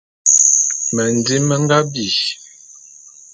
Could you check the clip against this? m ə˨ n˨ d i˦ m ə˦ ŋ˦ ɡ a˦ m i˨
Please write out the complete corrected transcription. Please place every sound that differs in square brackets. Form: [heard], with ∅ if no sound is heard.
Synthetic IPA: m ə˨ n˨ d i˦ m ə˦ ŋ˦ ɡ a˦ [b] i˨

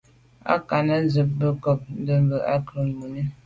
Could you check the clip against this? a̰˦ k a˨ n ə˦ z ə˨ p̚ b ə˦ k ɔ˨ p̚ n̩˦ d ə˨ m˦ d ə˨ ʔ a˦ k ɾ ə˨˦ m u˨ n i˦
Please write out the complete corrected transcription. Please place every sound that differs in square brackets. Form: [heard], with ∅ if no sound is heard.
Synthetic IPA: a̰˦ k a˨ n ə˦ z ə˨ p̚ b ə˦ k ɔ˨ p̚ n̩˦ d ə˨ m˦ [b] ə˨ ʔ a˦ k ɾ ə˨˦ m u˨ n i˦

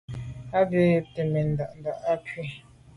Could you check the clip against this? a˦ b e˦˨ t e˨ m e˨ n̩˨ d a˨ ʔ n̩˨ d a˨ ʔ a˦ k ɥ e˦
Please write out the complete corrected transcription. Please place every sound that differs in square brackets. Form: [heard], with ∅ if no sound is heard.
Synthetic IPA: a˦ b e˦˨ t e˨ m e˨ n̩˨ d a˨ ʔ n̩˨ d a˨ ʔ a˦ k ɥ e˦

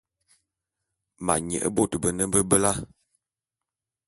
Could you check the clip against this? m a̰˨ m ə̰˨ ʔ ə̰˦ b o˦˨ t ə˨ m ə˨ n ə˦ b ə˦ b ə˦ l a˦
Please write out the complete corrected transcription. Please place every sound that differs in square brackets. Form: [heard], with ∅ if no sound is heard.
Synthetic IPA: m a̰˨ [ɲ] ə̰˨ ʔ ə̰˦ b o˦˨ t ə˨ [b] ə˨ n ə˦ b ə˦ b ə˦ l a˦

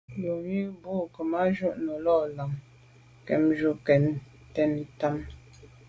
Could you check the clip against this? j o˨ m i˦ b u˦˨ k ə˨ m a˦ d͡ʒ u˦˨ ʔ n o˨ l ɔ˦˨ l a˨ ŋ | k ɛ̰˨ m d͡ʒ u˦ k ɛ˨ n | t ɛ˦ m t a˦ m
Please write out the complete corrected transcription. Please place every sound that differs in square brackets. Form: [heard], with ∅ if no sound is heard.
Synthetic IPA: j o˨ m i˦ b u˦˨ k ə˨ m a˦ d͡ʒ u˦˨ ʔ n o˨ l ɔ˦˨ l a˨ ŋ | k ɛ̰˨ m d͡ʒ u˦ k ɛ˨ n | t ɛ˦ [n] t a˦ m

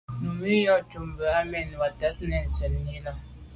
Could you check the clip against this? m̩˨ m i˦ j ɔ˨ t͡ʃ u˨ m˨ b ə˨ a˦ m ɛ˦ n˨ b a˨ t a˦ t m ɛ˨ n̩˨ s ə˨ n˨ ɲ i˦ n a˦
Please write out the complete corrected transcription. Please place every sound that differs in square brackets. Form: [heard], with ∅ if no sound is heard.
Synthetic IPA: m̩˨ m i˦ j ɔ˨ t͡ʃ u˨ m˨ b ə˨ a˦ m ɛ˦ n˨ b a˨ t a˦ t [n] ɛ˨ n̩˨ s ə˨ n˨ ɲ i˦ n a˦

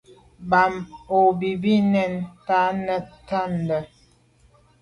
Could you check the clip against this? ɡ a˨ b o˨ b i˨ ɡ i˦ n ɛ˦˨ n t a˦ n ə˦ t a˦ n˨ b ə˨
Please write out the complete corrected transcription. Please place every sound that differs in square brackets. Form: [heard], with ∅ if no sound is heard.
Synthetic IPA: [b] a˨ [m] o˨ b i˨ [b] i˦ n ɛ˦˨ n t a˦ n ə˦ t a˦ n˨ [d] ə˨

